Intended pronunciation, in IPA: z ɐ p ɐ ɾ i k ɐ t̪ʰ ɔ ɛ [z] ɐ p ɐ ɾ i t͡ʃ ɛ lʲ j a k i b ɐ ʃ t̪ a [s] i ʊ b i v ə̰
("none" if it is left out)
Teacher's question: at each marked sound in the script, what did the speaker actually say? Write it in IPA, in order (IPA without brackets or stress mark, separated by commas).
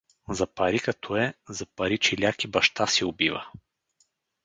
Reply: z, s